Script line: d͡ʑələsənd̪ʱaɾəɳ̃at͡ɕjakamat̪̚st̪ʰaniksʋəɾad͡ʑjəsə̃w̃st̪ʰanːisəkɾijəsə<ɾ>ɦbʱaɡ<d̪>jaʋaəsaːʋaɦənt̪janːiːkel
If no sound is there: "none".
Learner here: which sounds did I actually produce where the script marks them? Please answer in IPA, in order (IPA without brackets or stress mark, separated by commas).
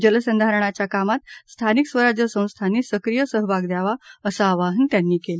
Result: none, d̪